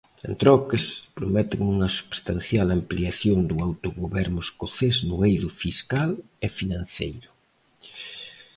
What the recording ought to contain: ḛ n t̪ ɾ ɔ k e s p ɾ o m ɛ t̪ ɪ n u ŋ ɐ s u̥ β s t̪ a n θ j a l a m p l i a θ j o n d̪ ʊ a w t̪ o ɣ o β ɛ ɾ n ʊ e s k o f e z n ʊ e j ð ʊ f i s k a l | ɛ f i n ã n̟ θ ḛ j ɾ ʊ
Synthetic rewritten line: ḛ n t̪ ɾ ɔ k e s p ɾ o m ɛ t̪ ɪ ŋ u ŋ ɐ s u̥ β s t̪ a n θ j a l a m p l i a θ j o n d̪ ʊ a w t̪ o ɣ o β ɛ ɾ n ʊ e s k o θ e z n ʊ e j ð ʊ f i s k a l | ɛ f i n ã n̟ θ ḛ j ɾ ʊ